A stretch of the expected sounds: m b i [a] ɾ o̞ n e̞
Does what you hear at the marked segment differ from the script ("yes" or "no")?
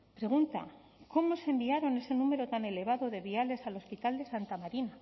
no